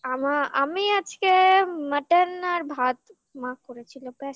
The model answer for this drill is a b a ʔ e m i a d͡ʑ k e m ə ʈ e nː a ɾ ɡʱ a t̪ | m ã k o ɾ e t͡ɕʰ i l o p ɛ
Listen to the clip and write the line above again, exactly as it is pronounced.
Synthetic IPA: a m a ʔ a m i a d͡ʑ k e m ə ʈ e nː a ɾ bʱ a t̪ | m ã k o ɾ e t͡ɕʰ i l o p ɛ